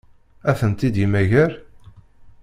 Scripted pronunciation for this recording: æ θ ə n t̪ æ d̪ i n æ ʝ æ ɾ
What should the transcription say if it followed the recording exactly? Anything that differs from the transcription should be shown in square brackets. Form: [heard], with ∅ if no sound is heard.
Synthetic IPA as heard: æ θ ə n t̪ [i] d̪ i [m] æ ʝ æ ɾ